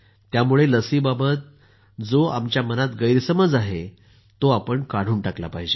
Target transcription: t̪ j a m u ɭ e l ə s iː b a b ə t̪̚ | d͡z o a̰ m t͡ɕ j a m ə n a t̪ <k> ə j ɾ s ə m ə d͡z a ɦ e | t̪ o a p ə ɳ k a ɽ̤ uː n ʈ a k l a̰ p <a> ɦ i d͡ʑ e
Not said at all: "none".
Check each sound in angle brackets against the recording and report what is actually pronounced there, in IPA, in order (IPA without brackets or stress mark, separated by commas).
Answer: ɡ, a